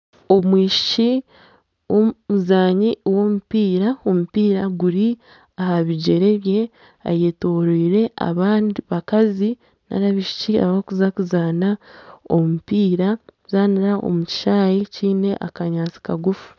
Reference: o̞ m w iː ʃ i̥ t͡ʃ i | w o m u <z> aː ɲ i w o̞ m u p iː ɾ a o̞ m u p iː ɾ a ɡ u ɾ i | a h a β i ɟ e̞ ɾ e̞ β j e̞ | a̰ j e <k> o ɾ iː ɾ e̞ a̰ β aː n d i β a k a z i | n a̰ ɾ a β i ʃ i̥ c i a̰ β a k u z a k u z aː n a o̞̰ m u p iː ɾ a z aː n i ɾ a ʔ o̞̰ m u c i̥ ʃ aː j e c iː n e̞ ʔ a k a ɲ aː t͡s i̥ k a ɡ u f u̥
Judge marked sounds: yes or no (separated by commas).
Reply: yes, no